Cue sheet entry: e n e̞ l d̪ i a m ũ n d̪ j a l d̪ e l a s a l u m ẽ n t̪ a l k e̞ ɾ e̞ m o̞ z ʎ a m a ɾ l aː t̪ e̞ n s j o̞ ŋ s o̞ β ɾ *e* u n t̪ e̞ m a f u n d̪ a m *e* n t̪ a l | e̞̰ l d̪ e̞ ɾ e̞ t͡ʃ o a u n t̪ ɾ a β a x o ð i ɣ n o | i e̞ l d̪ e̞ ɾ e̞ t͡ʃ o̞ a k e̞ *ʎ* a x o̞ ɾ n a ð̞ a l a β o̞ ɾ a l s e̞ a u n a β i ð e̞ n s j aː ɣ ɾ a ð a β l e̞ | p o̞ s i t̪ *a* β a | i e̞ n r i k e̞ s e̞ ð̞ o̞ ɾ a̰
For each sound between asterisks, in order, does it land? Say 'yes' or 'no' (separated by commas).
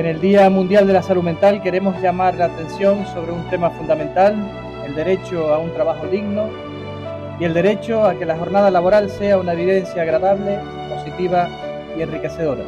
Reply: yes, no, no, no